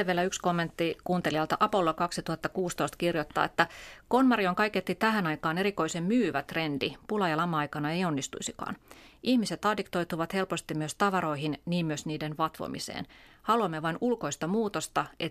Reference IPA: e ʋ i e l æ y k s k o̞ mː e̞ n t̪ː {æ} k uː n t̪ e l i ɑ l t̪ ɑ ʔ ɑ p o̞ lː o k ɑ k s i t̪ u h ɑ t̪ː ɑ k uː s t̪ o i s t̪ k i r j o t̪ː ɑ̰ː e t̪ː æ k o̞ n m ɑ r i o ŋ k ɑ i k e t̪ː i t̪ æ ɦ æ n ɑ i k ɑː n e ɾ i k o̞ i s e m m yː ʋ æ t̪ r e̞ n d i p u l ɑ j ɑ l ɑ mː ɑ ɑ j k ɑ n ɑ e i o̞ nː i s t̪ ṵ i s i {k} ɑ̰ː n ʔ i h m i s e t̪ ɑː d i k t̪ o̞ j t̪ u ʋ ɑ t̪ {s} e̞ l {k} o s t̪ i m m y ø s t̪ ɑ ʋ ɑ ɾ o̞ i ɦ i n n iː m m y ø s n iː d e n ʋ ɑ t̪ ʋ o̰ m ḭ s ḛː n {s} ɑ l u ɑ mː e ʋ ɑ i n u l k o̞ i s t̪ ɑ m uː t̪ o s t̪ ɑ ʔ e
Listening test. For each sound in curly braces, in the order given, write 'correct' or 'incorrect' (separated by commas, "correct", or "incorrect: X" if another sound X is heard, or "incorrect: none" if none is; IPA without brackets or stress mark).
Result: incorrect: i, correct, incorrect: h, incorrect: p, incorrect: h